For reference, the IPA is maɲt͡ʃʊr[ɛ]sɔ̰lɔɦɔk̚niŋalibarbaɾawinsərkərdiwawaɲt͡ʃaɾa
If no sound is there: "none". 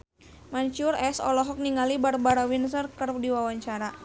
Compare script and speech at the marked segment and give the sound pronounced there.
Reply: ɛ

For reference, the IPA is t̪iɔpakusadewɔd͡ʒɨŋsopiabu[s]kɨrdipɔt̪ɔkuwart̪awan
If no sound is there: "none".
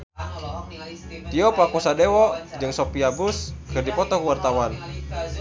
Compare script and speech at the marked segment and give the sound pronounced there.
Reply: s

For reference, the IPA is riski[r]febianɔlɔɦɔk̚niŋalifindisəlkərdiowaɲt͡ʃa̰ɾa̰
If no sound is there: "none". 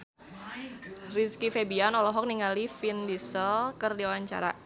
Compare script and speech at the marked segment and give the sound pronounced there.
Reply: none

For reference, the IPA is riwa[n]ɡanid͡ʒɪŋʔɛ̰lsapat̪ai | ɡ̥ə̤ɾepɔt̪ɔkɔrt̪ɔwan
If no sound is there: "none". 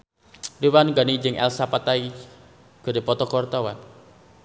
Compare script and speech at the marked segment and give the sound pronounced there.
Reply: n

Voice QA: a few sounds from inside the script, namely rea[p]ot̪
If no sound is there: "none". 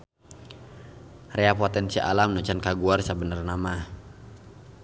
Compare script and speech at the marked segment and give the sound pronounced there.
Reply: p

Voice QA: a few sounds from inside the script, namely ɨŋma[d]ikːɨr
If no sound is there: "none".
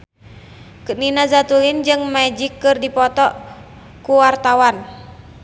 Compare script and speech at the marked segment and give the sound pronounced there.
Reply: d͡ʒ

